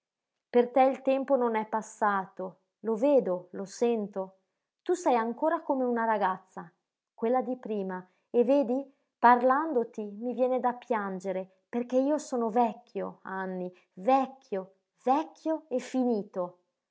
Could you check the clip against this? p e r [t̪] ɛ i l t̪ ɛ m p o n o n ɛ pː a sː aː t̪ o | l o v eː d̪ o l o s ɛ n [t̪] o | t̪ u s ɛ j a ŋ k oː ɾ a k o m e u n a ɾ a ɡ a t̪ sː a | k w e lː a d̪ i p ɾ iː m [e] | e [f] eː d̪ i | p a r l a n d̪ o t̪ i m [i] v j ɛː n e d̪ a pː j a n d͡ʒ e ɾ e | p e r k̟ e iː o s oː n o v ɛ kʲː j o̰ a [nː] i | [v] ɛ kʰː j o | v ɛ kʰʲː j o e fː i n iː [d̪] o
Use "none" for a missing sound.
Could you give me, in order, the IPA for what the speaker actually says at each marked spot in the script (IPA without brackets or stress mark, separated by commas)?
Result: t̪, t̪, a, v, i, nː, v, t̪